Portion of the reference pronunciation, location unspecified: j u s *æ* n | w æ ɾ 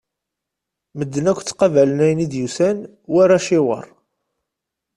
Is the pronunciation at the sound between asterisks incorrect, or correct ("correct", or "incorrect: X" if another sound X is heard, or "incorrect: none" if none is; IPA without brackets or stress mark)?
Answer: correct